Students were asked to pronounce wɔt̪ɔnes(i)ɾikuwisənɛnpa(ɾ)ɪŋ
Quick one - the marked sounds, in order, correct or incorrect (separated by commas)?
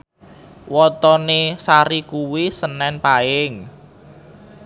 incorrect, incorrect